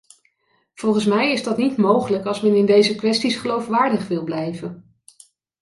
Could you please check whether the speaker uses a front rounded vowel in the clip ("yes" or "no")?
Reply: no